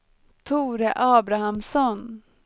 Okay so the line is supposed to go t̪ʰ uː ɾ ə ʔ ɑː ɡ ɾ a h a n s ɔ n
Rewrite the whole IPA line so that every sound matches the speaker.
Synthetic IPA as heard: t̪ʰ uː ɾ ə ʔ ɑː b ɾ a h a m s ɔ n